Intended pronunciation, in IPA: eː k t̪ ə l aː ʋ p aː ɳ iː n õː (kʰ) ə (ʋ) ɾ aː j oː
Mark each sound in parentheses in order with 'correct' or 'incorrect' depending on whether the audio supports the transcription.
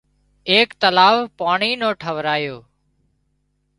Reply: incorrect: ʈʰ, correct

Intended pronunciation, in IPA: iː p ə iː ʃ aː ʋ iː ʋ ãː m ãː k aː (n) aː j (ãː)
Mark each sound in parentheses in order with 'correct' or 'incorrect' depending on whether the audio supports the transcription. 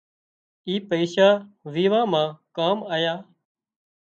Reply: incorrect: m, incorrect: aː

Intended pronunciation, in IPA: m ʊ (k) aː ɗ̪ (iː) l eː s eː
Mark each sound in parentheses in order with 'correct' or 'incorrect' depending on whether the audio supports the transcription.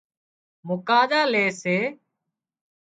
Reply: correct, incorrect: aː

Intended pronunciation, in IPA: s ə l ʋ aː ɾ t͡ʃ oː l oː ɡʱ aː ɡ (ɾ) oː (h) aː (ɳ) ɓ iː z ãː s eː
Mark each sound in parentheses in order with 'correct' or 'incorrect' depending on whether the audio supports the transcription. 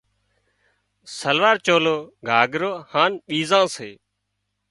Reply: correct, correct, incorrect: n

